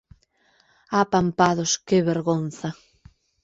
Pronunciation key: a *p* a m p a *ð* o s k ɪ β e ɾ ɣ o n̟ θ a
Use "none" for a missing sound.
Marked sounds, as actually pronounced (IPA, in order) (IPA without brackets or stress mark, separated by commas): p, ð